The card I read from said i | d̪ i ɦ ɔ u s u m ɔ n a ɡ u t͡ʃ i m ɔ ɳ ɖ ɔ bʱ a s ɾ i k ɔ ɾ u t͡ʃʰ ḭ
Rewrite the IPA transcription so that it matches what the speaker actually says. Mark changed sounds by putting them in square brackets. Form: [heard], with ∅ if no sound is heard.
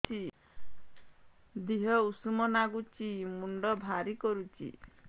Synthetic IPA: i | d̪ i ɦ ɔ u s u m ɔ n a ɡ u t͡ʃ i m [u] ɳ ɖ ɔ bʱ a [∅] ɾ i k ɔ ɾ u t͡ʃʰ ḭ